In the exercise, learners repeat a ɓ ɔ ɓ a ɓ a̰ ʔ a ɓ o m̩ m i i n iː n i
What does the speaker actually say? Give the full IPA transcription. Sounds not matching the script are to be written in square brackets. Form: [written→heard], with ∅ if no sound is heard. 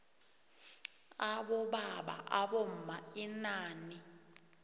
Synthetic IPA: a ɓ ɔ ɓ a ɓ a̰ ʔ a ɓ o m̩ m [i→a] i n [iː→aː] n i